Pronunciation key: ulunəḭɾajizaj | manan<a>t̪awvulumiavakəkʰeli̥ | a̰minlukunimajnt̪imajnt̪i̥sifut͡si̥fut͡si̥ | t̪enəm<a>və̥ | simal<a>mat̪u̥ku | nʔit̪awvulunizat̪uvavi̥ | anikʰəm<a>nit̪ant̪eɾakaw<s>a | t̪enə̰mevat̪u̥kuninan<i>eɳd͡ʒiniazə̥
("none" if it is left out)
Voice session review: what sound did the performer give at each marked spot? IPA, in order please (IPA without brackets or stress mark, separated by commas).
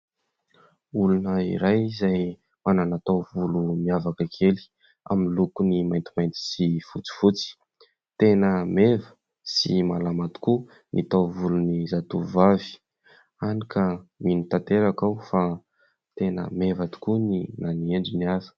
a, e, a, i, f, i